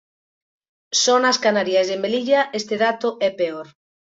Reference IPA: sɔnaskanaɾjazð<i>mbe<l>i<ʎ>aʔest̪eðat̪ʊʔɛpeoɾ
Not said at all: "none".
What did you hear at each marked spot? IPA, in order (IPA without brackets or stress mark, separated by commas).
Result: e, l, ʎ